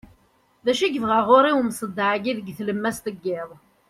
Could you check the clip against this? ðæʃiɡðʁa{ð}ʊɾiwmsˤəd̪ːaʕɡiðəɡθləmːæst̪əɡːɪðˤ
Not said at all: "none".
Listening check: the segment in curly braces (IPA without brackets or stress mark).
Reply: ʁ